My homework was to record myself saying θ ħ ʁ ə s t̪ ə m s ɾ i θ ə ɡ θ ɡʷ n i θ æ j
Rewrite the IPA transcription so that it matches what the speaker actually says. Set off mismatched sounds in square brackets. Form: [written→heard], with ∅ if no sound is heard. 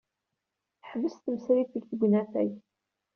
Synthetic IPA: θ ħ [ʁ→v] ə s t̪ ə m s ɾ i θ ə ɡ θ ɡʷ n [i→æ] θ æ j